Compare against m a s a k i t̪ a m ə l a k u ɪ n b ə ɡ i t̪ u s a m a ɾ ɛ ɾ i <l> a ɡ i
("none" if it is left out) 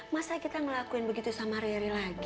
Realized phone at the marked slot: l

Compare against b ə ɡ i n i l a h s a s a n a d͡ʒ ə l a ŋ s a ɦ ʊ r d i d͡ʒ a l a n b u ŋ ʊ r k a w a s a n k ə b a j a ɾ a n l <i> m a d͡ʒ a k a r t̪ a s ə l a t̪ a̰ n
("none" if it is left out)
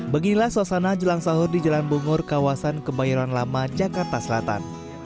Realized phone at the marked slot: a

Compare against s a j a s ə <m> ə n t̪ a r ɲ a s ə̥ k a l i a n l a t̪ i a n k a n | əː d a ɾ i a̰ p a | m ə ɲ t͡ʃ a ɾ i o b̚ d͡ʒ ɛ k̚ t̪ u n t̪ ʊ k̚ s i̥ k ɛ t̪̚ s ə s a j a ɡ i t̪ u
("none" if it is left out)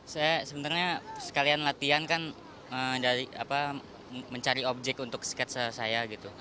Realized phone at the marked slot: b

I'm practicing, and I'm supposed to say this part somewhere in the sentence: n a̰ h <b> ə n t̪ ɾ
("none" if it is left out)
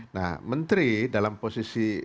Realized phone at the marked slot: m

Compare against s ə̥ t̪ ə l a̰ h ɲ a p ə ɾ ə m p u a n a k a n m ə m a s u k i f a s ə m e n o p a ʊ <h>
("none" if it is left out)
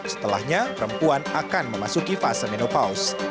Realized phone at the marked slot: s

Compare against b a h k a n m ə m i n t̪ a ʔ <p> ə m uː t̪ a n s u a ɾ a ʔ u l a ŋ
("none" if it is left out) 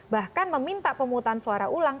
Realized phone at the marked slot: p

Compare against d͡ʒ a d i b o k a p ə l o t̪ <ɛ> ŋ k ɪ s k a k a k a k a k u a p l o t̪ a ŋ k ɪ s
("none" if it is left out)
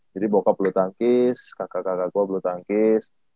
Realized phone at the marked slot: a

